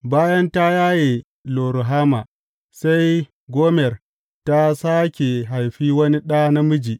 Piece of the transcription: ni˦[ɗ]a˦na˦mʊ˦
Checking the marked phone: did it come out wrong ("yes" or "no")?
no